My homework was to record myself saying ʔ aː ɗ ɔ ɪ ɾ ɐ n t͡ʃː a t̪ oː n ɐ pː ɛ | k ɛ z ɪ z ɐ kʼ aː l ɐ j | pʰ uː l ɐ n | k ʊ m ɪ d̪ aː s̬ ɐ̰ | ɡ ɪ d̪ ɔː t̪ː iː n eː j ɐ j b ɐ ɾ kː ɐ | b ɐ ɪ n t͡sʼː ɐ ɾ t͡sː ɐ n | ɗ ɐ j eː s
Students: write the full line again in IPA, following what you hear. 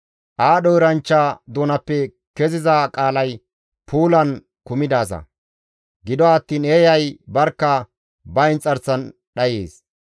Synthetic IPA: ʔ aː ɗ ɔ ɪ ɾ ɐ n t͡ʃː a d̪ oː n ɐ pː ɛ | k ɛ z ɪ z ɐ kʼ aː l ɐ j | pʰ uː l ɐ n | k ʊ m ɪ d̪ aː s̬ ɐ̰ | ɡ ɪ d̪ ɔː t̪ː iː n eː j ɐ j b ɐ ɾ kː ɐ | b ɐ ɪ n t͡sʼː ɐ ɾ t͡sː ɐ n | ɗ ɐ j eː s

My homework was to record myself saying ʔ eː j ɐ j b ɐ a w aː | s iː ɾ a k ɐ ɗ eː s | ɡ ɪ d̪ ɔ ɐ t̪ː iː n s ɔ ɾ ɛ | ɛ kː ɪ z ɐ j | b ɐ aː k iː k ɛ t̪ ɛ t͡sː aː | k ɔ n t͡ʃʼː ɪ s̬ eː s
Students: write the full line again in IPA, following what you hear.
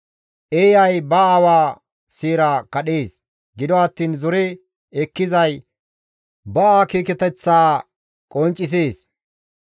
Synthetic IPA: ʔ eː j ɐ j b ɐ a w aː | s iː ɾ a k ɐ ɗ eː s | ɡ ɪ d̪ ɔ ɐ t̪ː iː n z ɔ ɾ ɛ | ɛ kː ɪ z ɐ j | b ɐ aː k iː k ɛ t̪ ɛ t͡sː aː | kʼ ɔ n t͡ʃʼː ɪ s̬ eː s

